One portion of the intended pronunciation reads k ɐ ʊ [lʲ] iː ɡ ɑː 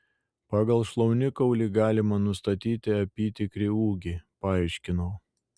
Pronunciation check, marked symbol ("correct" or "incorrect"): correct